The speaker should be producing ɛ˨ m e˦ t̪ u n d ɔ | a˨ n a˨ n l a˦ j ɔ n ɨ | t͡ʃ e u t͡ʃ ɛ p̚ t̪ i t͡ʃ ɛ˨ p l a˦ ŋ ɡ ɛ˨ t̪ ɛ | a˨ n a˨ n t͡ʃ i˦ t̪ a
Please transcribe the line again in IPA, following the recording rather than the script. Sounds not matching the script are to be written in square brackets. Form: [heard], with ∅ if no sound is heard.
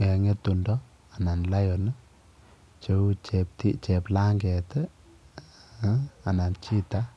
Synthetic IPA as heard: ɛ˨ [ŋ] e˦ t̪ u n d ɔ | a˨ n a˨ n l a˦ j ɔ n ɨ | t͡ʃ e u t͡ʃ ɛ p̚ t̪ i t͡ʃ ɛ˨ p l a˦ ŋ ɡ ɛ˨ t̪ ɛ | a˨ n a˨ n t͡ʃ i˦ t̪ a